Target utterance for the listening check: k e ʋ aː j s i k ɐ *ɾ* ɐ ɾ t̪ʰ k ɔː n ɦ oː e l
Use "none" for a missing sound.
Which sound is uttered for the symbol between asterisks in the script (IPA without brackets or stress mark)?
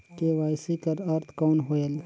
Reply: ɾ